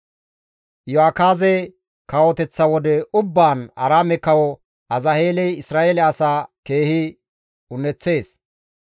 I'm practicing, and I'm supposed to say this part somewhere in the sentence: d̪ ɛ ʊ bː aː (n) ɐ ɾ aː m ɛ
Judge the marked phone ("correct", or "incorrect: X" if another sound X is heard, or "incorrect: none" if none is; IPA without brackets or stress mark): correct